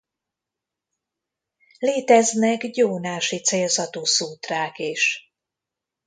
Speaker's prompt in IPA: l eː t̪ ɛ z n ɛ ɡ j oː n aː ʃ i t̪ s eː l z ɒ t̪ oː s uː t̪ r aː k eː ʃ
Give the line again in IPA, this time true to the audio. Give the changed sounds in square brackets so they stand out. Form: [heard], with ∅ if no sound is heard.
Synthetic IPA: l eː t̪ ɛ z n ɛ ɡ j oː n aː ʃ i t̪ s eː l z ɒ t̪ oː s uː t̪ r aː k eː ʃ